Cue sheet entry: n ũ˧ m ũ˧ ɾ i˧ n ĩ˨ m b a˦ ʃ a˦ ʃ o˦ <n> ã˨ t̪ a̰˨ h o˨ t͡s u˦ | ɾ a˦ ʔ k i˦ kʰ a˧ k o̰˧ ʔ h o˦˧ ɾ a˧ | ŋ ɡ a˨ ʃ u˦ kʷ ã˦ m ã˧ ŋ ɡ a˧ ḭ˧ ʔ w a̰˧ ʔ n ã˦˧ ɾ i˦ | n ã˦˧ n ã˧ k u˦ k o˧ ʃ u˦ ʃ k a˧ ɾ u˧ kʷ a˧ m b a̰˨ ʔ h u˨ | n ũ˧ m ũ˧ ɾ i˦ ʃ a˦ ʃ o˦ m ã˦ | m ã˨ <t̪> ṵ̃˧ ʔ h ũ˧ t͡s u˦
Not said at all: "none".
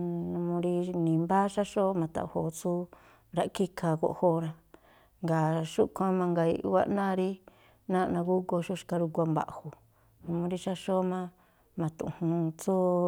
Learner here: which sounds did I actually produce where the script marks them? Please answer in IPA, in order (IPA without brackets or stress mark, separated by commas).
m, t̪